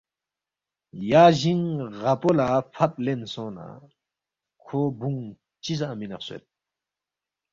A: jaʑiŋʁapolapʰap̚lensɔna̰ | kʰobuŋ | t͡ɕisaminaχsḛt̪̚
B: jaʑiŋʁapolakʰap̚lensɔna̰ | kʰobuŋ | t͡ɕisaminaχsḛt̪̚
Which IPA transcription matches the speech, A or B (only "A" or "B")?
A